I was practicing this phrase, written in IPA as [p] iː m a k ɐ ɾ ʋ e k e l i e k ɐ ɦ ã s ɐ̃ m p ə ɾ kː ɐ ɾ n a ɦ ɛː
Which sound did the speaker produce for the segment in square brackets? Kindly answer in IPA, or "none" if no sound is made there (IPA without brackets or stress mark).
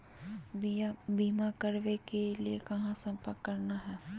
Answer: b